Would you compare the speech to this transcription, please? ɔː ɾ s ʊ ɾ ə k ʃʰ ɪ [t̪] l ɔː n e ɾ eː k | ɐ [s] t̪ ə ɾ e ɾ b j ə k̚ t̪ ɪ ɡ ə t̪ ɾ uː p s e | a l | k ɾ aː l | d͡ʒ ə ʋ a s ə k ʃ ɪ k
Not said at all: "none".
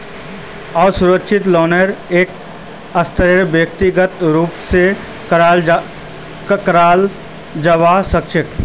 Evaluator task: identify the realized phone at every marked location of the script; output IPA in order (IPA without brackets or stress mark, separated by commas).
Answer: t̪, s